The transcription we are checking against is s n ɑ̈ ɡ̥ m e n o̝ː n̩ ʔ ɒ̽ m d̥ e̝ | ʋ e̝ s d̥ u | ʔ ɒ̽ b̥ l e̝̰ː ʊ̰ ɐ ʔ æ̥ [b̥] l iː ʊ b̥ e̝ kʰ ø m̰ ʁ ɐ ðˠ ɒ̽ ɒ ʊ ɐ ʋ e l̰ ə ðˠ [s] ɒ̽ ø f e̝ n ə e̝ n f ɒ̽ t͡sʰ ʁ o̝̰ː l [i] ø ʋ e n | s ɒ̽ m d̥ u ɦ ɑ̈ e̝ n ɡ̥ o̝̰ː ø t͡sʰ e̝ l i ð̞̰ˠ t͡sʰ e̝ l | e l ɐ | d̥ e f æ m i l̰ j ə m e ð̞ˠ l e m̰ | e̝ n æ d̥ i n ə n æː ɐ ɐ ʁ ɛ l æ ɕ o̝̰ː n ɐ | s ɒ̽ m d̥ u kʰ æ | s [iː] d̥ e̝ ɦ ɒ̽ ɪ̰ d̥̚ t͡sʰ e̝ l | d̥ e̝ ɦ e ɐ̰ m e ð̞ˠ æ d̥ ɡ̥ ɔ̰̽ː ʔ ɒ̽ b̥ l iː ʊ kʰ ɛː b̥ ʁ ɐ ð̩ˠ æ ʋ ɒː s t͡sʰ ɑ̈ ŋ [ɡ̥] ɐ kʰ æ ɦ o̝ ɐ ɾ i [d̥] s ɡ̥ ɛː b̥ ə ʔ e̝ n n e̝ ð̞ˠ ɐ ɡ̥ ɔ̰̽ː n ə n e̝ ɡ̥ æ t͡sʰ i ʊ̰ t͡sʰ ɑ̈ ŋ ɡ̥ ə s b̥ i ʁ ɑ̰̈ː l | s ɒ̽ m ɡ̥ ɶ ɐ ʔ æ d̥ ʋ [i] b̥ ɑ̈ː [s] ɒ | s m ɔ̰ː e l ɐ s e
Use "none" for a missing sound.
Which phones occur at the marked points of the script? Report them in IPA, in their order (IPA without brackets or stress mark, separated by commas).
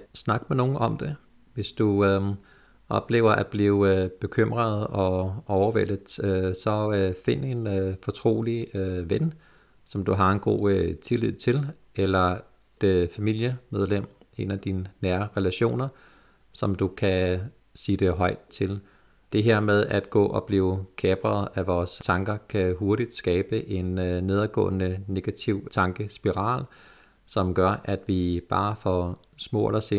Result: b̥, s, i, iː, ɡ̥, d̥, i, f